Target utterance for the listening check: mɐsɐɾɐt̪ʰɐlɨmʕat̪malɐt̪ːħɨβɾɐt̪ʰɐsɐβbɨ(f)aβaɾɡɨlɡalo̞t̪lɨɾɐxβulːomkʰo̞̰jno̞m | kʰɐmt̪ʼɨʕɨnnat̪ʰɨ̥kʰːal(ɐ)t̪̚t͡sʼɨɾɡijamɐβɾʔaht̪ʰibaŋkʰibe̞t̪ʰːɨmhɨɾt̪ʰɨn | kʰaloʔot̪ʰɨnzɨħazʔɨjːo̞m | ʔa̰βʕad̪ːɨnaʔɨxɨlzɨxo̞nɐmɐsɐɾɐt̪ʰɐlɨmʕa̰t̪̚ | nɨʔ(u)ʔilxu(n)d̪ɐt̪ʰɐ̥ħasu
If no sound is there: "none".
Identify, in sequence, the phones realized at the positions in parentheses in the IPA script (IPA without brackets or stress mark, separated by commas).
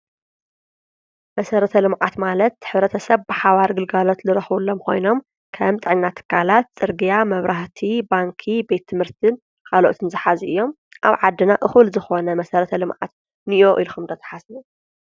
ħ, a, o, m